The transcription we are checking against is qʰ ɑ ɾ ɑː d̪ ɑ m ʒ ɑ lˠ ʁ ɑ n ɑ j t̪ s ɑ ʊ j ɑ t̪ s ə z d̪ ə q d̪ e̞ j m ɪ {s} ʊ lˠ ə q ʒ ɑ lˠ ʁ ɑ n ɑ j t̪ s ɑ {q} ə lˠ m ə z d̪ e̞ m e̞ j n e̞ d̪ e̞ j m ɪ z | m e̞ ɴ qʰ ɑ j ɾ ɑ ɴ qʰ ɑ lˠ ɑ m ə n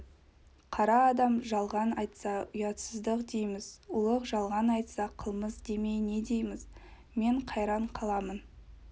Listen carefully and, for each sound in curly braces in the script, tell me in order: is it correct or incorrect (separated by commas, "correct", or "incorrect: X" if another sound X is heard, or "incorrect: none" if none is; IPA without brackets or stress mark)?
incorrect: z, incorrect: qʰ